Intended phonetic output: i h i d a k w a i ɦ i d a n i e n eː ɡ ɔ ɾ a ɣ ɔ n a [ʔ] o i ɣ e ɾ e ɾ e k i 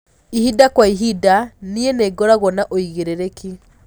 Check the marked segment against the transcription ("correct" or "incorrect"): correct